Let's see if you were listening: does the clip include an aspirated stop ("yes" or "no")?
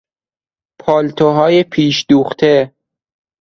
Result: yes